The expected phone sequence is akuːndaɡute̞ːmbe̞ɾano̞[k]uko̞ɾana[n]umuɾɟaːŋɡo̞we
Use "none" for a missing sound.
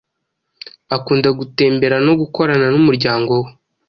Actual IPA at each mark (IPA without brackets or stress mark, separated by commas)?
ɡ, n